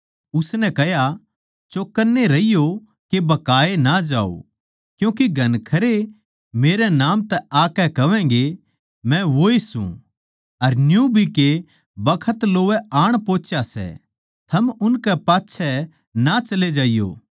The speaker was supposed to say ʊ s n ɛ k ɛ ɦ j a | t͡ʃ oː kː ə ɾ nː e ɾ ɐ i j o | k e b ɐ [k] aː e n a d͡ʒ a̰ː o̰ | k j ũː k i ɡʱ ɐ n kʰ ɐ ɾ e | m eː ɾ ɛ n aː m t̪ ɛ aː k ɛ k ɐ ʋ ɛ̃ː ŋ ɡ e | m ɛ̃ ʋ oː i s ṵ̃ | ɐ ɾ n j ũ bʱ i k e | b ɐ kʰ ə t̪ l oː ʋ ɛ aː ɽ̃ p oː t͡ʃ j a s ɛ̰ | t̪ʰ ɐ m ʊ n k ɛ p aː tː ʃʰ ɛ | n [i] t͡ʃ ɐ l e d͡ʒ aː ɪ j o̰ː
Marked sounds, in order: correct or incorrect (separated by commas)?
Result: correct, incorrect